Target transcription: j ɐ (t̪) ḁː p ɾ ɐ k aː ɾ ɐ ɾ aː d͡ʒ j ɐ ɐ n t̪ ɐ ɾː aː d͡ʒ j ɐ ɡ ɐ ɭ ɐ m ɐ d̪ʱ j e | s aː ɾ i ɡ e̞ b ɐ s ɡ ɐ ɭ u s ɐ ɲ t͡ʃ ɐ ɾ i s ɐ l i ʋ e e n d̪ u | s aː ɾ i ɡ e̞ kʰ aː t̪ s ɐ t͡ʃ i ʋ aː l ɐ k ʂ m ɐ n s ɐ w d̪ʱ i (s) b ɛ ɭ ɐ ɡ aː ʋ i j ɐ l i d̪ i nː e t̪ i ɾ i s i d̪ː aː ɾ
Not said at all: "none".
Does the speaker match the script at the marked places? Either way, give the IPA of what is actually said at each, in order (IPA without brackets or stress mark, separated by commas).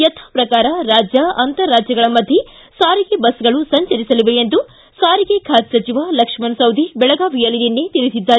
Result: t̪ʰ, none